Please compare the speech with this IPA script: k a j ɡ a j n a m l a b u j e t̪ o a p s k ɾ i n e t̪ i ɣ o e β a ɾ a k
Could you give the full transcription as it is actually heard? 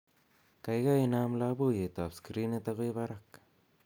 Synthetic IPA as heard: k a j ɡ a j n a m l a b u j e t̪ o a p s k ɾ i n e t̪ a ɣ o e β a ɾ a k